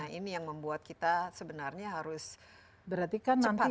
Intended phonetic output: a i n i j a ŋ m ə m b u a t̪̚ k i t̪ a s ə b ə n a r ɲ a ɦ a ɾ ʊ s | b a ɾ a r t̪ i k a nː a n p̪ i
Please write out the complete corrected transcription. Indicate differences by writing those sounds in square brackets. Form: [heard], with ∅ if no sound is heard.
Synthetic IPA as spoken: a i n i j a ŋ m ə m b u a t̪̚ k i t̪ a s ə b ə n a r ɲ a ɦ a ɾ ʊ s | b [ə] ɾ a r t̪ i k a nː a n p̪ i